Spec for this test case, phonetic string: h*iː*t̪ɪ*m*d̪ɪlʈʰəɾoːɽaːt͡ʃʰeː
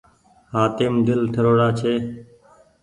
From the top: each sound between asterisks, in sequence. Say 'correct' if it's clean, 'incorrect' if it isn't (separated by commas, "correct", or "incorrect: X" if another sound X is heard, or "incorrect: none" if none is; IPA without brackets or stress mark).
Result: incorrect: aː, correct